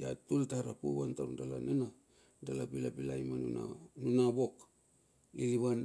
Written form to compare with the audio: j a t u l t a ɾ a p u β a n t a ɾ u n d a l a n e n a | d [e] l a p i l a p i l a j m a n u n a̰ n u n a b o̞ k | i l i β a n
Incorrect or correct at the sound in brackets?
incorrect: a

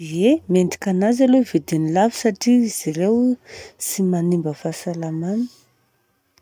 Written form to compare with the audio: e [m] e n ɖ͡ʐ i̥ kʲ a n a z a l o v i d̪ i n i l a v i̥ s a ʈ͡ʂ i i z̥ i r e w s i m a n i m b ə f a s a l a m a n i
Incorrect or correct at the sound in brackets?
correct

